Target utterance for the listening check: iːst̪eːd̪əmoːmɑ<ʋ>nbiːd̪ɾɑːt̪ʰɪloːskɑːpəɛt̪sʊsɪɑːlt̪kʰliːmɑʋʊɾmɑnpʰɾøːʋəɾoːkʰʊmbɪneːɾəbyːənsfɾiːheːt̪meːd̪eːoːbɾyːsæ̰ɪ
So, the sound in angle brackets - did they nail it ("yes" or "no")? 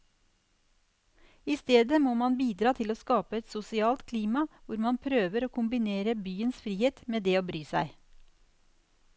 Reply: no